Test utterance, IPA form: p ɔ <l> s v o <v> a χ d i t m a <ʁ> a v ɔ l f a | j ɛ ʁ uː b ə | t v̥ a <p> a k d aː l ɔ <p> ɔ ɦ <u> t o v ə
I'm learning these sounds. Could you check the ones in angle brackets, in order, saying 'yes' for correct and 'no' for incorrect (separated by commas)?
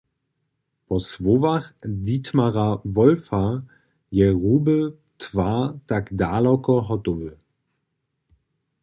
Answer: no, yes, yes, no, no, no